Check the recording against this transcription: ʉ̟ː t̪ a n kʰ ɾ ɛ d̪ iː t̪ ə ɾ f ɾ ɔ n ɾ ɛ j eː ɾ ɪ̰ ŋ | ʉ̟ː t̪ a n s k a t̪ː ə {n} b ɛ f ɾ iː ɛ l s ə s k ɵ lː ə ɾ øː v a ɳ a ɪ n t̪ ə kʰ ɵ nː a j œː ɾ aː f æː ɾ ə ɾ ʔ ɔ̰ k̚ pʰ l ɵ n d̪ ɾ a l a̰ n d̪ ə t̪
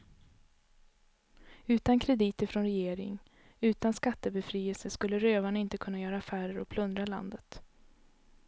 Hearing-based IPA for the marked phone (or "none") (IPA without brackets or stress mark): none